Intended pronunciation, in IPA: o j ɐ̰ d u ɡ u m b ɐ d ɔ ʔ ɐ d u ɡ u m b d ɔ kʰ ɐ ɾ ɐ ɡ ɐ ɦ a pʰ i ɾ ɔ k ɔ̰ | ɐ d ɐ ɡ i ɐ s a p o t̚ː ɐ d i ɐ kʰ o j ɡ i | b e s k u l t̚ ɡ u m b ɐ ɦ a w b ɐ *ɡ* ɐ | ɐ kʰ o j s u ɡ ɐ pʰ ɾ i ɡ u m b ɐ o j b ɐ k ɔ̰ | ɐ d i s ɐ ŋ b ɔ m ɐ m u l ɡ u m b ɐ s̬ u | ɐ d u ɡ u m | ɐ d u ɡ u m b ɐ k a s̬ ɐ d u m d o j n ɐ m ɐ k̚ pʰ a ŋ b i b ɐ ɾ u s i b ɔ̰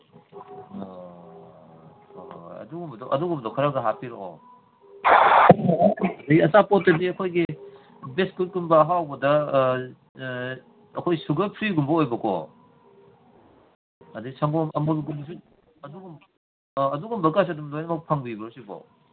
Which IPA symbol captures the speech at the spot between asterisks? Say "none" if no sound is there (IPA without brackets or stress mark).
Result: d